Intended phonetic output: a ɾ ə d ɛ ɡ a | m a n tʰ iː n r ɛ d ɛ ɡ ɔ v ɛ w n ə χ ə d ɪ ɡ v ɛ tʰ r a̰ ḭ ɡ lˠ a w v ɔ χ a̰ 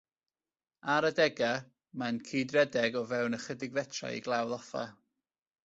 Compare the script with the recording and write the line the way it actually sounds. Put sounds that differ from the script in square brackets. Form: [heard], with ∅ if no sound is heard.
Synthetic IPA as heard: a ɾ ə d ɛ ɡ a | m a n [kʰ] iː [d] r ɛ d ɛ ɡ ɔ v ɛ w n ə χ ə d ɪ ɡ v ɛ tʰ r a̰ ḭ ɡ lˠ a w [ð] ɔ [f] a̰